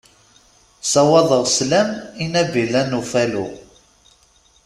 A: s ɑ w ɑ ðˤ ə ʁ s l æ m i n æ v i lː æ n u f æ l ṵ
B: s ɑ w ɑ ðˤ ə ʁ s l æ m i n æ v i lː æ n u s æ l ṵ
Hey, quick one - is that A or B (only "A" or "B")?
A